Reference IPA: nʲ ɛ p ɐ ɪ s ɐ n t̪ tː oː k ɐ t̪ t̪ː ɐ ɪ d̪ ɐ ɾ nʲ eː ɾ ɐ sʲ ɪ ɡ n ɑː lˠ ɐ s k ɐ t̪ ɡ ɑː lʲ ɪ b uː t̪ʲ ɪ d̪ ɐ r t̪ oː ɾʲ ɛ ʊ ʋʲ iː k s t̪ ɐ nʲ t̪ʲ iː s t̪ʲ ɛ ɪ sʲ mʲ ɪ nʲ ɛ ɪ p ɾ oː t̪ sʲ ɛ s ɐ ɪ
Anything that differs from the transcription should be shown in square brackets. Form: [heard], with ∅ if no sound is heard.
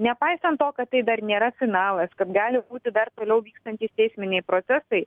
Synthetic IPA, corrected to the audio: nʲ ɛ p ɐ ɪ s ɐ n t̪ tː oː k ɐ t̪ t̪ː ɐ ɪ d̪ ɐ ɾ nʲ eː ɾ ɐ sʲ ɪ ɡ n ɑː lˠ ɐ s k ɐ t̪ ɡ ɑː lʲ ɪ b uː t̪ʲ ɪ d̪ ɐ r t̪ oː [lʲ] ɛ ʊ ʋʲ iː k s t̪ ɐ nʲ t̪ʲ iː s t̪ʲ ɛ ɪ sʲ mʲ ɪ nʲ ɛ ɪ p ɾ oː t̪ sʲ ɛ s ɐ ɪ